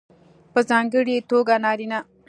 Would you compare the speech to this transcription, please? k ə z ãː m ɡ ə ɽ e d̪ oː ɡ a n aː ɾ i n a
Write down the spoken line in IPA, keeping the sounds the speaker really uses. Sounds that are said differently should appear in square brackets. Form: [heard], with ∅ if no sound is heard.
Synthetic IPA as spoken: [p] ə z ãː [ŋ] ɡ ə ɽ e [t̪] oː ɡ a n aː ɾ i n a